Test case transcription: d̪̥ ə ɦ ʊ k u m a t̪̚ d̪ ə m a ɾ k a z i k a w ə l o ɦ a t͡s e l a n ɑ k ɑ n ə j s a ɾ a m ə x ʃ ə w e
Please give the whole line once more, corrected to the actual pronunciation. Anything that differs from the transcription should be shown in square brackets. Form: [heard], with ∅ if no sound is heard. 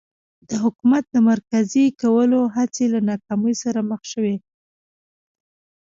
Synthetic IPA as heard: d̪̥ ə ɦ ʊ k u m a t̪̚ d̪ ə m a ɾ k a z i k a w ə l o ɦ a t͡s e l a n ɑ k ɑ [m] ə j s a ɾ a m ə x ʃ ə w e